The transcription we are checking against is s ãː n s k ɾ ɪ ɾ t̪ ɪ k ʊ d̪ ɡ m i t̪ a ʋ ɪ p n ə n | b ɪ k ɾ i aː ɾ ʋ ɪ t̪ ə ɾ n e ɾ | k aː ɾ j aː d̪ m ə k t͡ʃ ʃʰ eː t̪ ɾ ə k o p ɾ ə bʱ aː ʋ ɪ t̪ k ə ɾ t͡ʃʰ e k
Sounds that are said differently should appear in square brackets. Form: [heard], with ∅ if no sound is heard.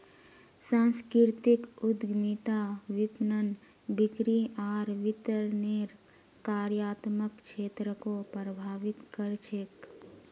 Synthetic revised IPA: s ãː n s k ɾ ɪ ɾ t̪ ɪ k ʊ d̪ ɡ m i t̪ a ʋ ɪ p n ə n | b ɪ k ɾ i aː ɾ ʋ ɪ t̪ ə ɾ n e ɾ | k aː ɾ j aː [t̪] m ə k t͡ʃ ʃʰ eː t̪ ɾ ə k o p ɾ ə bʱ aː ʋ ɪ t̪ k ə ɾ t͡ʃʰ e k